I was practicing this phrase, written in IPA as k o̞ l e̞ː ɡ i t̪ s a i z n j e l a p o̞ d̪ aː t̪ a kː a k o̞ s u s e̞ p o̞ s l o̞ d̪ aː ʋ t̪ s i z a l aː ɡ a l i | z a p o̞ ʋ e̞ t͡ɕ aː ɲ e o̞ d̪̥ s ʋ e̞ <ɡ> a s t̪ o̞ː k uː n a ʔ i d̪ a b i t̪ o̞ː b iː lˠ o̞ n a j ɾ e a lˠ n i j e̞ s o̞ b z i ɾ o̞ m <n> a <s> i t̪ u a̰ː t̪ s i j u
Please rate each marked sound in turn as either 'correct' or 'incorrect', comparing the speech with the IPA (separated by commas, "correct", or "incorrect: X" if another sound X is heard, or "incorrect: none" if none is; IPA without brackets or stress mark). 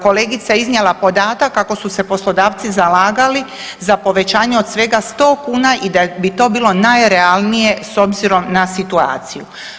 correct, correct, correct